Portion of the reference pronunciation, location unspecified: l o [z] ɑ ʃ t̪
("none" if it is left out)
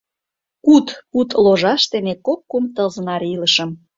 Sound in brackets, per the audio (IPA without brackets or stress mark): ʒ